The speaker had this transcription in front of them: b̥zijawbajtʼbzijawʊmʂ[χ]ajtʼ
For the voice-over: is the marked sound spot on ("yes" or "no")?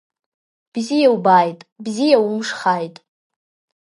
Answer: yes